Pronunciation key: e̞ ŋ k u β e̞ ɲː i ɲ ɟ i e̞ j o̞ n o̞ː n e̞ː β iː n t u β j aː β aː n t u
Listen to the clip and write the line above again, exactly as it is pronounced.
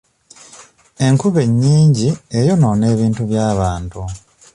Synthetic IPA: e̞ ŋ k u β e̞ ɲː iː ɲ ɟ i e̞ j o̞ n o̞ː n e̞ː β iː n t u β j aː β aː n t u